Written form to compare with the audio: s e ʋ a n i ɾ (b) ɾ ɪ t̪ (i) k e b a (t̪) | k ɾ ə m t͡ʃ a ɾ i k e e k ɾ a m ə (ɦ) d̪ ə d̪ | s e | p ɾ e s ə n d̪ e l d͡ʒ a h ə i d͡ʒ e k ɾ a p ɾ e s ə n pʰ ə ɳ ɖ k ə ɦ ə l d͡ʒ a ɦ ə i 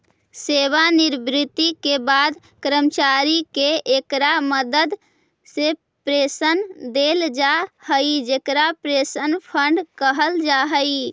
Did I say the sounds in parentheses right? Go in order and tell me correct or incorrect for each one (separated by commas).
correct, correct, incorrect, incorrect